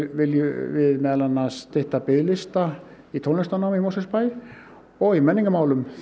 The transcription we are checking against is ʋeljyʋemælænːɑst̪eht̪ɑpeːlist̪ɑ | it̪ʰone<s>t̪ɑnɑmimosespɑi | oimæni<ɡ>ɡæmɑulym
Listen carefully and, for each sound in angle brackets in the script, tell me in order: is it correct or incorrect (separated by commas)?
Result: correct, incorrect